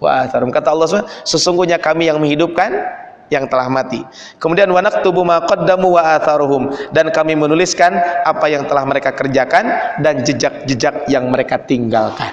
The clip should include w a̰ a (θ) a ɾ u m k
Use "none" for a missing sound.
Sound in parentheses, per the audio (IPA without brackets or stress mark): θ